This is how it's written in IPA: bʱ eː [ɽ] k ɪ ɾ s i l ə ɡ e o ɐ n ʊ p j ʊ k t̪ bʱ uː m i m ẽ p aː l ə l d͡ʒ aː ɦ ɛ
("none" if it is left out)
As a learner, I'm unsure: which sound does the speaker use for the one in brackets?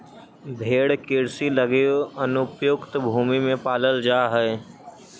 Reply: ɽ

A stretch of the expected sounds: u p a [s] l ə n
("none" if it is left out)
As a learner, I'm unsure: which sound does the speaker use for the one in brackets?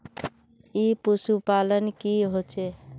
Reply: none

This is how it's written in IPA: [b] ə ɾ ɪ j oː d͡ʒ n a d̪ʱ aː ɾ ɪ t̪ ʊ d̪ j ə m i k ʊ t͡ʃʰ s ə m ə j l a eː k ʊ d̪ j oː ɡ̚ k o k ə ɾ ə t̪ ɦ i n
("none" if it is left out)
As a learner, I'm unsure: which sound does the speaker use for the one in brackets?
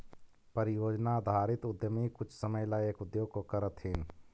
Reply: p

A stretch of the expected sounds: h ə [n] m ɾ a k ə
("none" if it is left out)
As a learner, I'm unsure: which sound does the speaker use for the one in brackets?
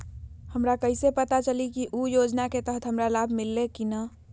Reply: none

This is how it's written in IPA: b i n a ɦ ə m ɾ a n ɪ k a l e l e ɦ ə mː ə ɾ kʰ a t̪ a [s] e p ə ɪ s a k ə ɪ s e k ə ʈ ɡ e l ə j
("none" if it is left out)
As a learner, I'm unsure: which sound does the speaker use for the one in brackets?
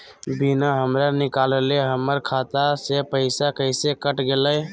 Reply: s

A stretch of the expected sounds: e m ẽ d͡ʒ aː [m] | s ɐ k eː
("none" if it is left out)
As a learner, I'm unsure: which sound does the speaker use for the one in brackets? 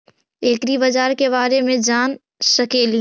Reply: n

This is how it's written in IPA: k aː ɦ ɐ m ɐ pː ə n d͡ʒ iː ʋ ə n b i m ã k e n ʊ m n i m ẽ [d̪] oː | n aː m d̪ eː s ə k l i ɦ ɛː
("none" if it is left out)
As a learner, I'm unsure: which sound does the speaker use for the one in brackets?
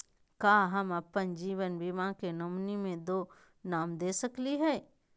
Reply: d̪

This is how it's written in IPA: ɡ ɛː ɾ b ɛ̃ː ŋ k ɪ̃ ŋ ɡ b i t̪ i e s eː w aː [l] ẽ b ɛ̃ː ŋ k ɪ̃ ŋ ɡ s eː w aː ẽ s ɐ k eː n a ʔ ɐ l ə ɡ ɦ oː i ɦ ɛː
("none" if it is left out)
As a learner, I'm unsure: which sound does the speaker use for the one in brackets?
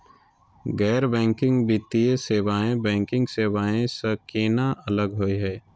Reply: none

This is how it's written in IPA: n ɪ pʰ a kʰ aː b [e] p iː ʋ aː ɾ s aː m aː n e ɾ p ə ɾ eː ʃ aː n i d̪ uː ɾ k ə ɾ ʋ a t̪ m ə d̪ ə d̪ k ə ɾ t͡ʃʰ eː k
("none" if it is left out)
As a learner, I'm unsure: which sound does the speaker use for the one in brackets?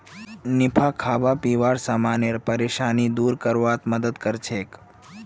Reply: a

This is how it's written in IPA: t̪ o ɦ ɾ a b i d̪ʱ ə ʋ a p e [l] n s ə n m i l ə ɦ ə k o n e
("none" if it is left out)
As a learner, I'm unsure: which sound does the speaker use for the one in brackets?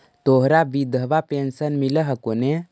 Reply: none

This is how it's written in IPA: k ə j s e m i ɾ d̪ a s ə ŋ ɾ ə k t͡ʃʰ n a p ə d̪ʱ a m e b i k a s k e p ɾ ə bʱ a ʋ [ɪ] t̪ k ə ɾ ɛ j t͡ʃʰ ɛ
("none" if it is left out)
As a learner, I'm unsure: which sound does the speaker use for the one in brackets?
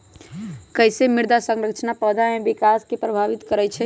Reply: i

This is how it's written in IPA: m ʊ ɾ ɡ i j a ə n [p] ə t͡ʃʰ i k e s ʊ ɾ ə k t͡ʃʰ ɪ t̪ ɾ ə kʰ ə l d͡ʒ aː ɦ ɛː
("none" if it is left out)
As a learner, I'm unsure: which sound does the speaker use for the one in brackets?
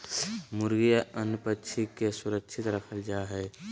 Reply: p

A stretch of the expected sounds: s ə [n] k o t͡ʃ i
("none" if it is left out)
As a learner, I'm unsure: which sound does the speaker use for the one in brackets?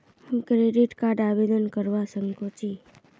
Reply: ŋ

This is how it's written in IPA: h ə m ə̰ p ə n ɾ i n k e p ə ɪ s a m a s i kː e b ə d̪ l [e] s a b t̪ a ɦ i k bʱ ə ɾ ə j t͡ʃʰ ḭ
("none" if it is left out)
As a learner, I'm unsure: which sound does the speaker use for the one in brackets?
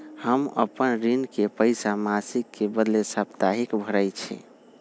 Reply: e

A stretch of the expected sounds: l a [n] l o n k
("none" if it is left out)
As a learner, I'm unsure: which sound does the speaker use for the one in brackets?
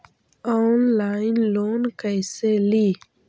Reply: n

